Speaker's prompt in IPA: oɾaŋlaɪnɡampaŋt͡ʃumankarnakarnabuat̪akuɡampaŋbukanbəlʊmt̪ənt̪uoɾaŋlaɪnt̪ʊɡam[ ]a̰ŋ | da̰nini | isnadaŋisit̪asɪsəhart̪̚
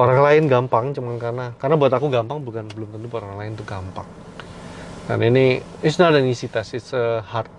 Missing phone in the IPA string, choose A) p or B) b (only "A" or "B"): A